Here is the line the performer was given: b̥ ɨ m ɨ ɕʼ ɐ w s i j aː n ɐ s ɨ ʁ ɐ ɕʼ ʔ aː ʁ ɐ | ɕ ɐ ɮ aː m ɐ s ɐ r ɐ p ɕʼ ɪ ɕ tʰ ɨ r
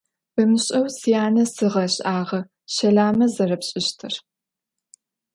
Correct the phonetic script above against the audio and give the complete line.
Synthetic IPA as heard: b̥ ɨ m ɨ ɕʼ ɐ w s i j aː n ɐ s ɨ ʁ ɐ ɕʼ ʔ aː ʁ ɐ | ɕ ɐ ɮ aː m ɐ z ɐ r ɐ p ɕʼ ɪ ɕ tʰ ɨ r